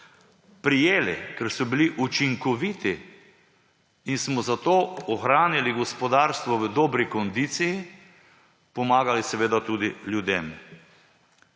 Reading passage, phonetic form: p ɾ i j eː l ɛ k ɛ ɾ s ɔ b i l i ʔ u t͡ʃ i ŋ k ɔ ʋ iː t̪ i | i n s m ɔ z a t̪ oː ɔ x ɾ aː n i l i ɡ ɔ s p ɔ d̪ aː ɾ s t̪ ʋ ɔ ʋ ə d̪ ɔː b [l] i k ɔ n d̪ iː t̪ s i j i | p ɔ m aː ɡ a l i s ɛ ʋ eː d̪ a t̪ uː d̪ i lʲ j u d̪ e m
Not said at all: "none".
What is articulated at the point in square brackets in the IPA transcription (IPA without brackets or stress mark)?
ɾ